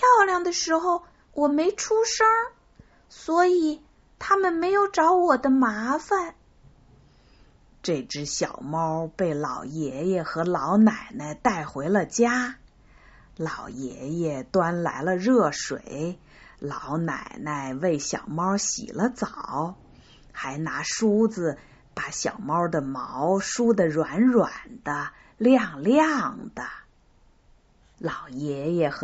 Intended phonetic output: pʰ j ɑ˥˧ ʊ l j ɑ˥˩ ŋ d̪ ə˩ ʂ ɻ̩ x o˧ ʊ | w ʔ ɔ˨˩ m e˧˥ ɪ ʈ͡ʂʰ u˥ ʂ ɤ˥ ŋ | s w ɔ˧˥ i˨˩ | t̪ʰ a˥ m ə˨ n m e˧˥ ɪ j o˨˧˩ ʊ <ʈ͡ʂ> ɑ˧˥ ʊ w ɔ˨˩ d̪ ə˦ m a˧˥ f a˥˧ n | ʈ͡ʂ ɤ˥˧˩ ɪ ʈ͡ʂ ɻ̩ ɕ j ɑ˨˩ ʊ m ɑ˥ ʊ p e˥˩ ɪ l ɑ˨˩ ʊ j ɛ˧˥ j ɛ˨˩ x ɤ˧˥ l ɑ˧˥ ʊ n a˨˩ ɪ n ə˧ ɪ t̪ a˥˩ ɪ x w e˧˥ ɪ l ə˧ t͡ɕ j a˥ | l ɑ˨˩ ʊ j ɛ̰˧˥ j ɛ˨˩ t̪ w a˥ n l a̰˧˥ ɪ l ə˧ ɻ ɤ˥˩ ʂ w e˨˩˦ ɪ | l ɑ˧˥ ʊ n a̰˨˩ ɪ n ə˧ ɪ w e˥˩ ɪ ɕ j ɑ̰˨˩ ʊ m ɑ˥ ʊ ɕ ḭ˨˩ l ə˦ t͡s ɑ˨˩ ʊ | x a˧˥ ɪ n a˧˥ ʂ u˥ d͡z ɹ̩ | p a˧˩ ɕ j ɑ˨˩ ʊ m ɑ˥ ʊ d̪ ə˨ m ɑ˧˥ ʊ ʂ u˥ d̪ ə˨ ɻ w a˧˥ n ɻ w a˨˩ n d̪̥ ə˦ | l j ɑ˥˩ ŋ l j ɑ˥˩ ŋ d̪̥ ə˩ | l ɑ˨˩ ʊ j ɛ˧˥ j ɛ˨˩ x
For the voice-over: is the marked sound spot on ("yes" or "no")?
yes